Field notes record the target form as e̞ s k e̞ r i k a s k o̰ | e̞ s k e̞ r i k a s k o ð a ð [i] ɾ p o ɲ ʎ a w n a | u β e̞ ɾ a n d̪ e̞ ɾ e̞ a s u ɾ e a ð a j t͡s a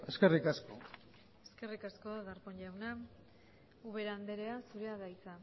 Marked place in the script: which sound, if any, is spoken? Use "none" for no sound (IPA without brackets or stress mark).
a